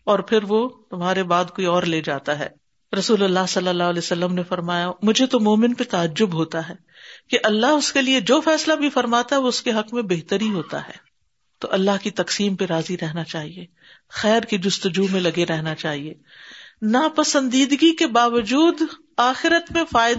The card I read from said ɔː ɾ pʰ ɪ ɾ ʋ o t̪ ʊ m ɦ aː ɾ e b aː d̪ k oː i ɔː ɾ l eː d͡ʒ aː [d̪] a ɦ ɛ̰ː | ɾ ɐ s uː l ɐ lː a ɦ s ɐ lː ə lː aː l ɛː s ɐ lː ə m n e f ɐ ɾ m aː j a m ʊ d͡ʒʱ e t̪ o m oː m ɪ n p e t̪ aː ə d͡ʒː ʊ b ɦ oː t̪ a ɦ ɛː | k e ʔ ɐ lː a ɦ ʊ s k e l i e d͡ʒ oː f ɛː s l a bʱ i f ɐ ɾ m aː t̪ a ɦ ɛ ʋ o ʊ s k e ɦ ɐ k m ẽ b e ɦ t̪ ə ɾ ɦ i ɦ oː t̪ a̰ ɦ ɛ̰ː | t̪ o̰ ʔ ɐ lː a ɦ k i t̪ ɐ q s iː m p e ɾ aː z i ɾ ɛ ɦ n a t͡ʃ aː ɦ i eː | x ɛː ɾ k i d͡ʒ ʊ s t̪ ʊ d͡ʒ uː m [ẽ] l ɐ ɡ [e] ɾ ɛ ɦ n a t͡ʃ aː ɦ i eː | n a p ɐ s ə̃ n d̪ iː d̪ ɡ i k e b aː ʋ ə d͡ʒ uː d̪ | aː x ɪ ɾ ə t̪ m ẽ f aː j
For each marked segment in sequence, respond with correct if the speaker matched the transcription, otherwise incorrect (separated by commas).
incorrect, correct, correct